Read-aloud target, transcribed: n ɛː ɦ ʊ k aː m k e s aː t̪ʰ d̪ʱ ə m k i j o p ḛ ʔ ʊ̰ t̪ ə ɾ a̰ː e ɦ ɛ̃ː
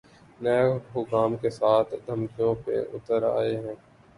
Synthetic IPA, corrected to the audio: n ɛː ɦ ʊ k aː m k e s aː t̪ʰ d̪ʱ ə m k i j õ p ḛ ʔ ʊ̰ t̪ ə ɾ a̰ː e ɦ ɛ̃ː